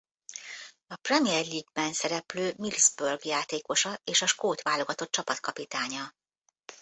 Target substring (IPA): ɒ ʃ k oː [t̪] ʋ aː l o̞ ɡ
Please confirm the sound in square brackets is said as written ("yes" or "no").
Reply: yes